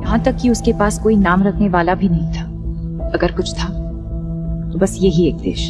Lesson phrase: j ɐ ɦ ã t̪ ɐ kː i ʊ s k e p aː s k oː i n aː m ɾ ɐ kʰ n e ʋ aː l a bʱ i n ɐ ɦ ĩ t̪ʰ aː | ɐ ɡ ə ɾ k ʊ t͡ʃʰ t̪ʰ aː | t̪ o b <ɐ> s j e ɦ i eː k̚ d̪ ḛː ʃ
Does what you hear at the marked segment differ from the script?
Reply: no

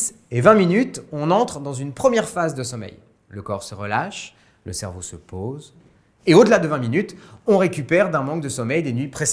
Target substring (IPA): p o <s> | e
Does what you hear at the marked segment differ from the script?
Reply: yes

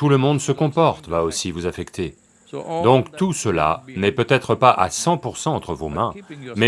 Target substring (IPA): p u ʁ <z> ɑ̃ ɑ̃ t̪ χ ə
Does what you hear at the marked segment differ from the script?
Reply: yes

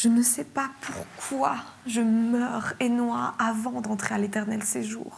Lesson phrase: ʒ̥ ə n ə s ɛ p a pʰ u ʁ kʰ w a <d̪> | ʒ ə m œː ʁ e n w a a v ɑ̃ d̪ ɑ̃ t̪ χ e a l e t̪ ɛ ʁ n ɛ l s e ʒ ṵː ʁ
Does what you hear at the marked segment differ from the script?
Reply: yes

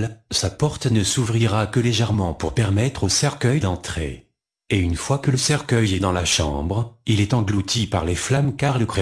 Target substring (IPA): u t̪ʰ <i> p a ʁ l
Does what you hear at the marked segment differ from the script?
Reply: no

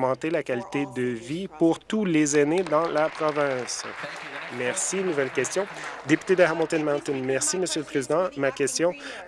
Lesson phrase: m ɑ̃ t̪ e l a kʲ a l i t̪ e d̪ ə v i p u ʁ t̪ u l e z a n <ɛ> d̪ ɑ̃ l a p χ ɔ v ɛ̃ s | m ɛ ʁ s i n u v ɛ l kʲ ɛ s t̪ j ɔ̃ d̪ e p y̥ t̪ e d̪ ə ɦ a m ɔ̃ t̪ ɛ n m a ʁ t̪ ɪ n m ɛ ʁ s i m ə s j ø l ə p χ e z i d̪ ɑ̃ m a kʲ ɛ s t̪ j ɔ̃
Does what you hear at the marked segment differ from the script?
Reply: yes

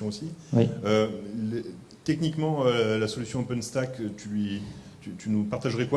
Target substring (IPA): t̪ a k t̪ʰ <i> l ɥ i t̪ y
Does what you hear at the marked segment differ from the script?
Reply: yes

